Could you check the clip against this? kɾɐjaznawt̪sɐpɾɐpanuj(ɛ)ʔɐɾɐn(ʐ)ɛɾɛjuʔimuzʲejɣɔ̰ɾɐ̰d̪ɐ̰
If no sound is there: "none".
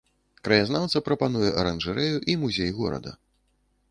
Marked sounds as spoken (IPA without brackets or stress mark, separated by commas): ɛ, ʐ